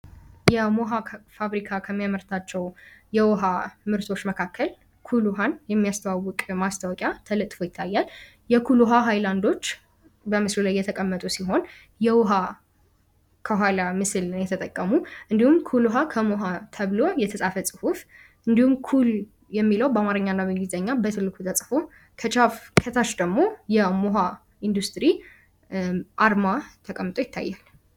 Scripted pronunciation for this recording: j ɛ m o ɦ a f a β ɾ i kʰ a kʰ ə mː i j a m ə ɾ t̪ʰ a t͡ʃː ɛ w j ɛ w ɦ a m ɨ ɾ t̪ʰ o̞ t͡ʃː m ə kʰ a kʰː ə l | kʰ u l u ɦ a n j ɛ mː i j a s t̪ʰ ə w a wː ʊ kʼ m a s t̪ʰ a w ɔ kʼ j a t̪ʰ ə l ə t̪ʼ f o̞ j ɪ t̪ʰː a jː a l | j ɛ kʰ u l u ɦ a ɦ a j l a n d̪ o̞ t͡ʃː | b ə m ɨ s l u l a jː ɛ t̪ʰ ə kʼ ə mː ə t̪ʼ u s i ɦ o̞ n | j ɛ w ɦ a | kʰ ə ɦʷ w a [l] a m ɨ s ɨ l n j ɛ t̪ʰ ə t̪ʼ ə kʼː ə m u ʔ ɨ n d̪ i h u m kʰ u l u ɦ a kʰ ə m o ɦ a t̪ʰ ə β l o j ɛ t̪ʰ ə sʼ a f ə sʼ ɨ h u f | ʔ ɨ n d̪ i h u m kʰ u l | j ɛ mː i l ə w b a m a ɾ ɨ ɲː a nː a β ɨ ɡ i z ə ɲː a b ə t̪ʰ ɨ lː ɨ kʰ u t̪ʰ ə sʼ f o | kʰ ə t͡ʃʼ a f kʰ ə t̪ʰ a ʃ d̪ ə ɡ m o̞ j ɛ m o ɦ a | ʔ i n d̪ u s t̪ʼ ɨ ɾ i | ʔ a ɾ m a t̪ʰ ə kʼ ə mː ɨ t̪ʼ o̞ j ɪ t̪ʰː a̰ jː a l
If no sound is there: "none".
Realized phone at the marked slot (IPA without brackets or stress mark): l